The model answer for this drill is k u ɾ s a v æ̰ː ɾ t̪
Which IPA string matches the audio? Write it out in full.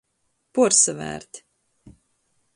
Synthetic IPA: p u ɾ s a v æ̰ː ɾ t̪